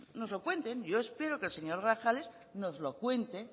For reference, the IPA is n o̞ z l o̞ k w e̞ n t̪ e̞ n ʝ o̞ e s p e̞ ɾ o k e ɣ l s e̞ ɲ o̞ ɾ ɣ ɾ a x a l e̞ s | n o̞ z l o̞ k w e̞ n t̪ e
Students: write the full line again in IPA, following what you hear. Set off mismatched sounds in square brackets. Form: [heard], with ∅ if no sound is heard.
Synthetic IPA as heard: n o̞ z l o̞ k w e̞ n t̪ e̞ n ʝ o̞ e s p e̞ ɾ o k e [∅] l s e̞ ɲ o̞ ɾ ɣ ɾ a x a l e̞ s | n o̞ z l o̞ k w e̞ n t̪ e